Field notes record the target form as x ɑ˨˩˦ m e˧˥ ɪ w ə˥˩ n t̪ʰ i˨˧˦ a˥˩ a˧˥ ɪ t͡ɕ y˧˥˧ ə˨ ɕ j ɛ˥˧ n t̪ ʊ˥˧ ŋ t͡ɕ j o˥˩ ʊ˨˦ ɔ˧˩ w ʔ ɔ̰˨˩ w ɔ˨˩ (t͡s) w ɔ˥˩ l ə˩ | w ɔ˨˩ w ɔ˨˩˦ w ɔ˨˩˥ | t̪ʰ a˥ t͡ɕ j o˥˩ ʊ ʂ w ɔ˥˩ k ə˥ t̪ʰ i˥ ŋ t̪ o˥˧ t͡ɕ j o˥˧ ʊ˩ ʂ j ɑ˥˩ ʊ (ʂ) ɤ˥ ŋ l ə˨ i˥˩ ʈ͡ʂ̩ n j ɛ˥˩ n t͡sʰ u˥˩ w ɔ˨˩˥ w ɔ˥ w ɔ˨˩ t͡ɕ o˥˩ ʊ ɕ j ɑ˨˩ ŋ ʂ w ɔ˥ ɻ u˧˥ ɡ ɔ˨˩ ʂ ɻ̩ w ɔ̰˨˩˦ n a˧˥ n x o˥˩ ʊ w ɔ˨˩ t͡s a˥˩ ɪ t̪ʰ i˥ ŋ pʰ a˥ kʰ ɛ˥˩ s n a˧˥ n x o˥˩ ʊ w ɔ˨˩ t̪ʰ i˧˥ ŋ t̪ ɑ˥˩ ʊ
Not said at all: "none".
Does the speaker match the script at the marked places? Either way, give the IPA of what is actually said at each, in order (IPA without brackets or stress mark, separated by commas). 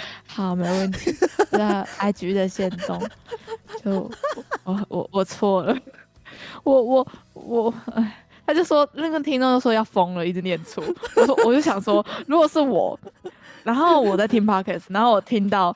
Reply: t͡sʰ, f